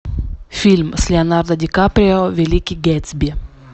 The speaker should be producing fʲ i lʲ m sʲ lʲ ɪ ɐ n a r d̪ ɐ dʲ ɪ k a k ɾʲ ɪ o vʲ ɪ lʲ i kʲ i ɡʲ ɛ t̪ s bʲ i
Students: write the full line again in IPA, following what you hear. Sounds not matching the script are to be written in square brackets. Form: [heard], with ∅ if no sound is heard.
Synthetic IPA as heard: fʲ i lʲ m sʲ lʲ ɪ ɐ n a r d̪ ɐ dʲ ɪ k a [p] ɾʲ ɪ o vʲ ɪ lʲ i kʲ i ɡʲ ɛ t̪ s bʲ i